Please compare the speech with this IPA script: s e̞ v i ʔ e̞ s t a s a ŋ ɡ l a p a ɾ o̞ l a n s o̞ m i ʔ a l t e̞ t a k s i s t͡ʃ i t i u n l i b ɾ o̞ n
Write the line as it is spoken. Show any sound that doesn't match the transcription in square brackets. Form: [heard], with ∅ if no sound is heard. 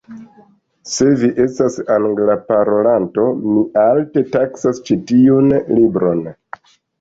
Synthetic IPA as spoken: s e̞ v i ʔ e̞ s t a s a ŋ ɡ l a p a ɾ o̞ l a n [t] o̞ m i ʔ a l t e̞ t a k s [a] s t͡ʃ i t i u n l i b ɾ o̞ n